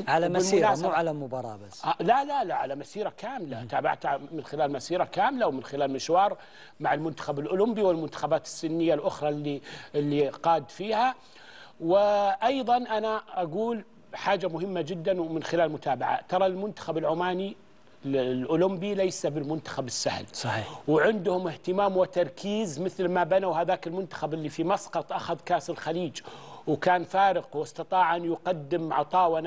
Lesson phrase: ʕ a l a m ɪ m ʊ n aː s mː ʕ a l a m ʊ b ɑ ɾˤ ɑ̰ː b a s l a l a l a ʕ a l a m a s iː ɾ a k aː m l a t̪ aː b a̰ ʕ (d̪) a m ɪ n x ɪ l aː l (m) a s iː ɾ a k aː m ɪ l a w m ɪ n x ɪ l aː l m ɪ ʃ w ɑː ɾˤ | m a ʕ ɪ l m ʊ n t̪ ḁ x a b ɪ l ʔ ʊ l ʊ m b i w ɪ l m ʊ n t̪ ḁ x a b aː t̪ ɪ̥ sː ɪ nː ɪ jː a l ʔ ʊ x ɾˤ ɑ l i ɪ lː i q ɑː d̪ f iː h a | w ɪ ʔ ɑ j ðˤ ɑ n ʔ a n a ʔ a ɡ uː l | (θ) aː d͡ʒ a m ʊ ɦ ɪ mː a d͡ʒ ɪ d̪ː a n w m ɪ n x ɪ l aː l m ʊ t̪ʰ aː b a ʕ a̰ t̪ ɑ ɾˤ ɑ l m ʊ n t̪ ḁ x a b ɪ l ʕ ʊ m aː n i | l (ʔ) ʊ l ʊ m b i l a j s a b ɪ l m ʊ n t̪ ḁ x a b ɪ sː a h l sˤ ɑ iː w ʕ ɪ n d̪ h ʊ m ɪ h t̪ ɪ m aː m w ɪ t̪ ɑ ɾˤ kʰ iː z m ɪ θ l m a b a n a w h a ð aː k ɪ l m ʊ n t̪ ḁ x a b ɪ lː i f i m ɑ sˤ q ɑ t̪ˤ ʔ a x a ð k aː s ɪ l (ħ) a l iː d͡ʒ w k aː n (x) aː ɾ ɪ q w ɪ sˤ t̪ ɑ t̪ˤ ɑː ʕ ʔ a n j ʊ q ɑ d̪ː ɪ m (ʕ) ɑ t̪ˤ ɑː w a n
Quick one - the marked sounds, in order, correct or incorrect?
incorrect: t̪, correct, incorrect: ħ, correct, incorrect: x, incorrect: f, correct

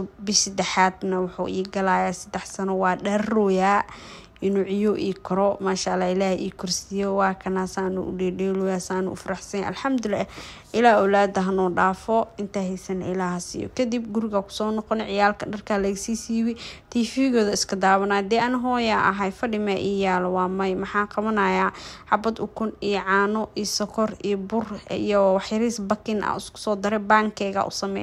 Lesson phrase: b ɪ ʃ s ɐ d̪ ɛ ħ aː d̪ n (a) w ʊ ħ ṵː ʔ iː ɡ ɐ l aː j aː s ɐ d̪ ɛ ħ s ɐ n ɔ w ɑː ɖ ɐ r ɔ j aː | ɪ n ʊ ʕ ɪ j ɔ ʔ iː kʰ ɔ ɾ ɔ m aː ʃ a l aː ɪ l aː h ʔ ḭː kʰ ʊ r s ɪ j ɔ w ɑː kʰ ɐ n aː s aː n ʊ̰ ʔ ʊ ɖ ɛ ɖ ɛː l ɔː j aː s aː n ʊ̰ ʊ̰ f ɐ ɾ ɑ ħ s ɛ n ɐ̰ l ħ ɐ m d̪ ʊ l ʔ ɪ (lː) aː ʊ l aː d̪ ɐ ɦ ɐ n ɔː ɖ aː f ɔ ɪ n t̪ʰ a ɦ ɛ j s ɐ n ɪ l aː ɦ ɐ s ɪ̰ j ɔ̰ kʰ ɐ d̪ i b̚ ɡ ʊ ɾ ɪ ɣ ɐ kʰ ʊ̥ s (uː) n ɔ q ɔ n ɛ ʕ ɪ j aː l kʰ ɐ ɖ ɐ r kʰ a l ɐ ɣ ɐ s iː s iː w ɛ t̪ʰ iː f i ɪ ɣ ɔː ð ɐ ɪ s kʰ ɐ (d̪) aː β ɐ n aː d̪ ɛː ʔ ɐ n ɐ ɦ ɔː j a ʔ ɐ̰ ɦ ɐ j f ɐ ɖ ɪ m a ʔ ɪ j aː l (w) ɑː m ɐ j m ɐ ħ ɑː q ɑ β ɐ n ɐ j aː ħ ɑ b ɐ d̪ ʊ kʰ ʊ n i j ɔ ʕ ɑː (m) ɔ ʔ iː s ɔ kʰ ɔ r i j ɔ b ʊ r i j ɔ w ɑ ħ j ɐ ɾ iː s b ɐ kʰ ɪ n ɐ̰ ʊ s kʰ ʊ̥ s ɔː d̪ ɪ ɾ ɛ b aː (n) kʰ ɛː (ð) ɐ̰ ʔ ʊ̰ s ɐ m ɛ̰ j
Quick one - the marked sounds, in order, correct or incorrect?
incorrect: ɐ, incorrect: l, incorrect: ɔː, correct, correct, incorrect: n, incorrect: ŋ, incorrect: ɣ

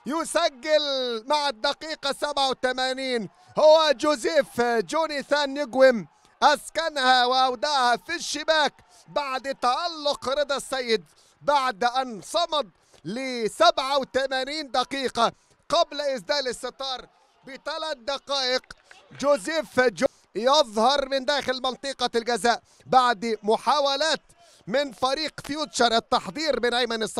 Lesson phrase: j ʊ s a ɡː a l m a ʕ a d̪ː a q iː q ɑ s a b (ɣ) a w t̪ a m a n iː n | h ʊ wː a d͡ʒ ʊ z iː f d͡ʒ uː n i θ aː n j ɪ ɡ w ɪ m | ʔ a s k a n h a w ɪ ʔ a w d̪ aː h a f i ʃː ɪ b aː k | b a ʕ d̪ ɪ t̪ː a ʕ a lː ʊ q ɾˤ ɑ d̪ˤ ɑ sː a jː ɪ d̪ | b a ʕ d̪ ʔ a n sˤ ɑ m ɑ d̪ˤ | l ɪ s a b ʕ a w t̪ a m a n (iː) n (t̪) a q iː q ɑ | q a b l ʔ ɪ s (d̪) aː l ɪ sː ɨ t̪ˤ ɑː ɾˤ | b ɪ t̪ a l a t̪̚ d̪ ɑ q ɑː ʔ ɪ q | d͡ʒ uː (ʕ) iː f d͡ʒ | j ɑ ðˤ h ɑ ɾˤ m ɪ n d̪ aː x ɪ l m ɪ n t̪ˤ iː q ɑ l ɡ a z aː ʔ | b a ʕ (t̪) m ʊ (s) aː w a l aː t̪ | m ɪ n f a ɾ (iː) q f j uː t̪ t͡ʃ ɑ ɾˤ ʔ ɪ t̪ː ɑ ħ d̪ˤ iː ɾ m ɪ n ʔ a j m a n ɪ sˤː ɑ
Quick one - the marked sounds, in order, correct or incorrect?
incorrect: ʕ, correct, incorrect: d̪, correct, incorrect: z, incorrect: d̪, incorrect: ħ, correct

